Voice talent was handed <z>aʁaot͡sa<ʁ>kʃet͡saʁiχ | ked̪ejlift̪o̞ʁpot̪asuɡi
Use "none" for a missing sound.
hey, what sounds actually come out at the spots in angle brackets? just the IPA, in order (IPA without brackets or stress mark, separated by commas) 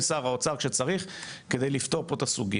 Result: s, ʁ